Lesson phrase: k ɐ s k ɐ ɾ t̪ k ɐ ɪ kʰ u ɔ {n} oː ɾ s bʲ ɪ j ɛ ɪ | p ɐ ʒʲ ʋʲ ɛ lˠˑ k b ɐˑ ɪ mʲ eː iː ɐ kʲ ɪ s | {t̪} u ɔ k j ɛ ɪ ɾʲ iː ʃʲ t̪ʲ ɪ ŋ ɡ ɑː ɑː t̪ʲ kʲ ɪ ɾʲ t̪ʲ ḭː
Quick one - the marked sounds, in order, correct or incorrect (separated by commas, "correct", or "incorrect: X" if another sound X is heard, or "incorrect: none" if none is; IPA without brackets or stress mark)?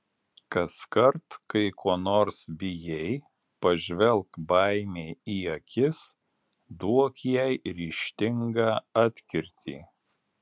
correct, incorrect: d̪